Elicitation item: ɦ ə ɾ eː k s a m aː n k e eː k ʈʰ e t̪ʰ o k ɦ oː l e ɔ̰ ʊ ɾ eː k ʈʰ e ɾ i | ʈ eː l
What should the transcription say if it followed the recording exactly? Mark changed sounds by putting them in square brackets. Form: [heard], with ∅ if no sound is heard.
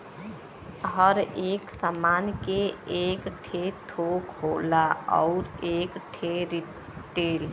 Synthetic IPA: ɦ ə ɾ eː k s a m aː n k e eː k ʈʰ e t̪ʰ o k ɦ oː l [a] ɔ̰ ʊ ɾ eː k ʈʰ e ɾ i | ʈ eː l

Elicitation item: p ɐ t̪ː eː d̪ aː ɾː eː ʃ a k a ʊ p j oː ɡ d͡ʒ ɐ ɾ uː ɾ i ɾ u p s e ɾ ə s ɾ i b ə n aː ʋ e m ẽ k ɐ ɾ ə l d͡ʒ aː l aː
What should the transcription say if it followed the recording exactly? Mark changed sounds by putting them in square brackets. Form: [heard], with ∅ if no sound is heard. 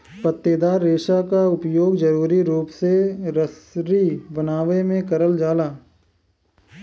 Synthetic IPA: p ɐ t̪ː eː d̪ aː ɾː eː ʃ a k a ʊ p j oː ɡ d͡ʒ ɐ ɾ uː ɾ i ɾ [uː] p s e ɾ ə s ɾ i b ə n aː ʋ e m ẽ k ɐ ɾ ə l d͡ʒ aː l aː

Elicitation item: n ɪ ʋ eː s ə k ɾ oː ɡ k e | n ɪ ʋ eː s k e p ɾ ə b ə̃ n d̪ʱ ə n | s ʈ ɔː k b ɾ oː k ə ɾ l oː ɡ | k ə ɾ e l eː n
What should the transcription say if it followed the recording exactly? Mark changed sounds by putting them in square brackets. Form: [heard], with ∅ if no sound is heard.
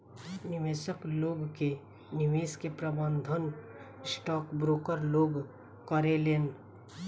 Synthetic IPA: n ɪ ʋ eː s ə k [l] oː ɡ k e | n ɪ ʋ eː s k e p ɾ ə b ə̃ n d̪ʱ ə n | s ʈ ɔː k b ɾ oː k ə ɾ l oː ɡ | k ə ɾ e l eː n

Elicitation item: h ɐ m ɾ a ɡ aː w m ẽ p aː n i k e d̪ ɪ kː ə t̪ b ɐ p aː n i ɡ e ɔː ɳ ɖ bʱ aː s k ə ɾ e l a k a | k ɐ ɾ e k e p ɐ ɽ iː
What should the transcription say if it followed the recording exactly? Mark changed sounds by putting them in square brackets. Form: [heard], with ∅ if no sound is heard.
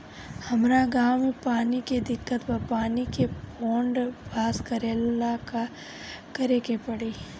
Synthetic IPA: h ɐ m ɾ a ɡ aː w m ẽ p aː n i k e d̪ ɪ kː ə t̪ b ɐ p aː n i [k] e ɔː ɳ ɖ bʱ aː s k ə ɾ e l a k a | k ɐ ɾ e k e p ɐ ɽ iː

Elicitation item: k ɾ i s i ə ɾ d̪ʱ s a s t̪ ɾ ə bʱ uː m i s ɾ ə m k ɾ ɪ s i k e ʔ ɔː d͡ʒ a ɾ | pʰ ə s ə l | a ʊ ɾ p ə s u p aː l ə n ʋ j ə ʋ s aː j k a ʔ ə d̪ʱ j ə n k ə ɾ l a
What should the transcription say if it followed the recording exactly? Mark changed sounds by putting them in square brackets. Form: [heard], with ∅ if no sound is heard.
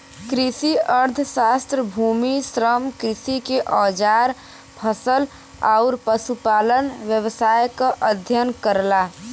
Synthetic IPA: k ɾ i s i ə ɾ d̪ʱ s a s t̪ ɾ ə bʱ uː m i s ɾ ə m k ɾ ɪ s i k e ʔ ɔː d͡ʒ a ɾ | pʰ ə s ə l | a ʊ ɾ p ə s u p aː l ə n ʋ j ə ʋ s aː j k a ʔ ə d̪ʱ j ə n k ə ɾ l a

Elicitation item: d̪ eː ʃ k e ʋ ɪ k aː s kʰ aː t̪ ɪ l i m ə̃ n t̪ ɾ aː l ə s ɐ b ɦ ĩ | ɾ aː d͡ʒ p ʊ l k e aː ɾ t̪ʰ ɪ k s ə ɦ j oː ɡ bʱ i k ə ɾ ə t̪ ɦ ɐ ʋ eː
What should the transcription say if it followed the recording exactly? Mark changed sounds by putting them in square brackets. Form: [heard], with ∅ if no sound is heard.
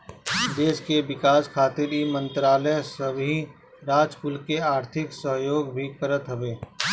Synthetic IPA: d̪ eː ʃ k e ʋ ɪ k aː s kʰ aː t̪ ɪ [ɾ] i m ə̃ n t̪ ɾ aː l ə s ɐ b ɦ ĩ | ɾ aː d͡ʒ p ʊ l k e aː ɾ t̪ʰ ɪ k s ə ɦ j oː ɡ bʱ i k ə ɾ ə t̪ ɦ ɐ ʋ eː

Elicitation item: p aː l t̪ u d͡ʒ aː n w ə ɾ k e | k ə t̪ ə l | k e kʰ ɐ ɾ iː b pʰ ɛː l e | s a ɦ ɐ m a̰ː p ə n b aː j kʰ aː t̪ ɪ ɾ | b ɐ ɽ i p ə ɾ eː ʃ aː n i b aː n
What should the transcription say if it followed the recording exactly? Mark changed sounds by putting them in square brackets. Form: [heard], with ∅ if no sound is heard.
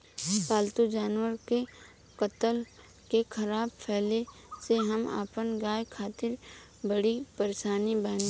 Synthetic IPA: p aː l t̪ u d͡ʒ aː n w ə ɾ k e | k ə t̪ ə l | k e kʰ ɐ ɾ [aː] b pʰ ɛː l e | s [e] ɦ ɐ m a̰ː p ə n [ɡ] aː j kʰ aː t̪ ɪ ɾ | b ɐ ɽ i p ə ɾ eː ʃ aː n i b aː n

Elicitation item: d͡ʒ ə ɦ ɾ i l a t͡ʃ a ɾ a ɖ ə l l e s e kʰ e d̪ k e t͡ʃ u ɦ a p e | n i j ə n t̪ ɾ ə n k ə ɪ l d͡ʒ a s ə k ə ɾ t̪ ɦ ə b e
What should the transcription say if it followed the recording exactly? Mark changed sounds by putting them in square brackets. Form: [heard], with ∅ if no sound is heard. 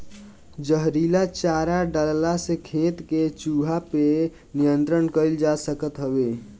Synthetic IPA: d͡ʒ ə ɦ ɾ i l a t͡ʃ a ɾ a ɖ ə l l [a] s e kʰ e [t̪] k e t͡ʃ u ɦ a p e | n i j ə n t̪ ɾ ə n k ə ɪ l d͡ʒ a s ə k ə [∅] t̪ ɦ ə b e

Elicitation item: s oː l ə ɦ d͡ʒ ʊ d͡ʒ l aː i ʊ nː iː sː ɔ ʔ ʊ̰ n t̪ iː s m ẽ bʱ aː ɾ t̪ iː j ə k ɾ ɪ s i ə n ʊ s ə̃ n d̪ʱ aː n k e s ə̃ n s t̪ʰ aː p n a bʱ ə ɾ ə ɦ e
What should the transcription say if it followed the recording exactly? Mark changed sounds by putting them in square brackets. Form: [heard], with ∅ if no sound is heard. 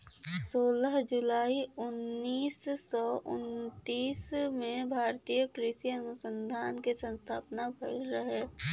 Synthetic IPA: s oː l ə ɦ d͡ʒ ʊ [∅] l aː i ʊ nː iː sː ɔ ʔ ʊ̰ n t̪ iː s m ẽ bʱ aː ɾ t̪ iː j ə k ɾ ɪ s i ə n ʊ s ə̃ n d̪ʱ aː n k e s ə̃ n s t̪ʰ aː p n a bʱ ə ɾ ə ɦ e

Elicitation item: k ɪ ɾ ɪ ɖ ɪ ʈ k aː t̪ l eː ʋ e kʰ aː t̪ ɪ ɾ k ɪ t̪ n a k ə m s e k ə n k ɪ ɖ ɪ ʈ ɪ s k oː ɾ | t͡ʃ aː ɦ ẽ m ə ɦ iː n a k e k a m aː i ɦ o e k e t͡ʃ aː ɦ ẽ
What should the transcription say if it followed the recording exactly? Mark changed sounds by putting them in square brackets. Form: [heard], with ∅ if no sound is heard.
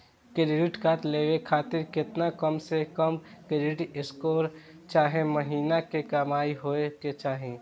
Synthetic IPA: k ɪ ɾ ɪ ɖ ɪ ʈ k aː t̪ l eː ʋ e kʰ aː t̪ ɪ ɾ k ɪ t̪ n a k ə m s e k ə [m] k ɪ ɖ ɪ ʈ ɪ s k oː ɾ | t͡ʃ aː ɦ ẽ m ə ɦ iː n a k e k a m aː i ɦ o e k e t͡ʃ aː ɦ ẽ

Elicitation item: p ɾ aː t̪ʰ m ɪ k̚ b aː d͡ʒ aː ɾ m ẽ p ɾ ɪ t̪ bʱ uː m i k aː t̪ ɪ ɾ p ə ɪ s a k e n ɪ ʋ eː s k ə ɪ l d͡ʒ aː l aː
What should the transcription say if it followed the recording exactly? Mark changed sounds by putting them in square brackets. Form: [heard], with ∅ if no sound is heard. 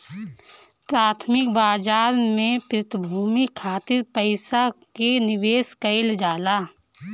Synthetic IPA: p ɾ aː t̪ʰ m ɪ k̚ b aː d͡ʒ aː ɾ m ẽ p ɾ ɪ t̪ bʱ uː m i [kʰ] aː t̪ ɪ ɾ p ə ɪ s a k e n ɪ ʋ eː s k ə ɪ l d͡ʒ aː l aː

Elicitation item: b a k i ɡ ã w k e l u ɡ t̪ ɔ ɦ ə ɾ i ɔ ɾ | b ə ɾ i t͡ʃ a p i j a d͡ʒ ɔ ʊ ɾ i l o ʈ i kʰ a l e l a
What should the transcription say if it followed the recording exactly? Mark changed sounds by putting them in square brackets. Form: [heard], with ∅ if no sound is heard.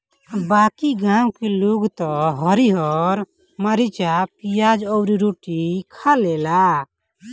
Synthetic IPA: b a k i ɡ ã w k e l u ɡ t̪ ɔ ɦ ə ɾ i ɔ ɾ | [m] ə ɾ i t͡ʃ a p i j a d͡ʒ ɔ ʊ ɾ i [ɾ] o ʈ i kʰ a l e l a

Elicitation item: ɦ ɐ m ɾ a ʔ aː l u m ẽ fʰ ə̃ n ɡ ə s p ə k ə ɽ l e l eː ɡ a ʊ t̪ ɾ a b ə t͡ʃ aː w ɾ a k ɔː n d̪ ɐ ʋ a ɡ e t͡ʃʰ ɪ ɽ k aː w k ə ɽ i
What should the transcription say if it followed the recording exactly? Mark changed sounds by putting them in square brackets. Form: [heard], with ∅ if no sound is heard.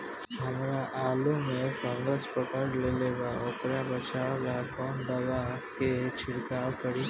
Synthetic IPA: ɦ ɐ m ɾ a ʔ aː l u m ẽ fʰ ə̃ [ŋ] ɡ ə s p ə k ə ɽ l e l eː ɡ a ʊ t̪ ɾ a b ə t͡ʃ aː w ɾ a k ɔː n d̪ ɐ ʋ a [k] e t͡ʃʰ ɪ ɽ k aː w k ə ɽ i

